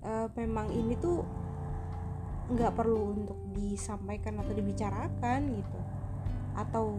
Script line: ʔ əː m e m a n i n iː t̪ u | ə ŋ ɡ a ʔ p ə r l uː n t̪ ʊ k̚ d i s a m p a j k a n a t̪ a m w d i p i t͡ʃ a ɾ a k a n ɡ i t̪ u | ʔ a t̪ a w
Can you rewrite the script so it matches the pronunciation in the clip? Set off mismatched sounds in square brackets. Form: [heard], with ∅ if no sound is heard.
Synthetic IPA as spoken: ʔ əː m e m a [ŋ] i n [i] t̪ u | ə ŋ ɡ a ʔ p ə r l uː n t̪ ʊ k̚ d i s a m p a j k a n a t̪ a [∅] w d i [b] i t͡ʃ a ɾ a k a n ɡ i t̪ u | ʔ a t̪ a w